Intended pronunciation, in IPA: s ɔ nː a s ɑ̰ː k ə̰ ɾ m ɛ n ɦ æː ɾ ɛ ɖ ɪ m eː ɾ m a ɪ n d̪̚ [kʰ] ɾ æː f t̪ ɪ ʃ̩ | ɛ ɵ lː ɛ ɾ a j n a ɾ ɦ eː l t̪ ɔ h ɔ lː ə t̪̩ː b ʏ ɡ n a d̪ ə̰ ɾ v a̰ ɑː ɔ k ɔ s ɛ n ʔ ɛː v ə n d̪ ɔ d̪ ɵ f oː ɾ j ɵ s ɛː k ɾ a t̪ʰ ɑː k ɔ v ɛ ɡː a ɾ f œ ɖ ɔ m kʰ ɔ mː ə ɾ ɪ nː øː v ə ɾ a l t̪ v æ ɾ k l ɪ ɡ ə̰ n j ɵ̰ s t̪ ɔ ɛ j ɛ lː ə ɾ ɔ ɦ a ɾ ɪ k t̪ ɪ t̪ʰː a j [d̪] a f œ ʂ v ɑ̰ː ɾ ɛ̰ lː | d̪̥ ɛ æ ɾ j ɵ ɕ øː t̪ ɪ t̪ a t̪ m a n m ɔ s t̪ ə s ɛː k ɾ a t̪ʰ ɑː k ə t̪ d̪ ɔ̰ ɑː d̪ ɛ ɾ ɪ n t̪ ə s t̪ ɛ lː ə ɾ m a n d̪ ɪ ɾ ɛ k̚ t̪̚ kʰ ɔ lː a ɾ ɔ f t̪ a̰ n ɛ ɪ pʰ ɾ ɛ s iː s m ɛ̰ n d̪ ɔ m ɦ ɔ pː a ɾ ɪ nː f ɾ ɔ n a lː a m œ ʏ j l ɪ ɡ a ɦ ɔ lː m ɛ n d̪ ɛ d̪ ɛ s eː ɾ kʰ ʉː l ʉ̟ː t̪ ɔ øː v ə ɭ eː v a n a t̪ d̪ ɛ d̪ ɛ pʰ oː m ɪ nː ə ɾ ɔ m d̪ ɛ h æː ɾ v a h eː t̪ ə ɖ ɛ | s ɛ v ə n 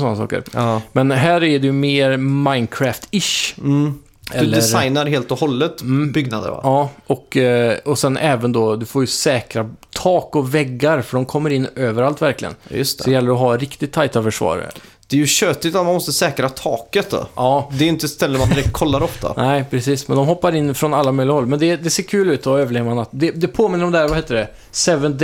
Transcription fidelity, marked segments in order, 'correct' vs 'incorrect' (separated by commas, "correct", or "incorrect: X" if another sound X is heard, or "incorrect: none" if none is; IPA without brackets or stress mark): correct, incorrect: t̪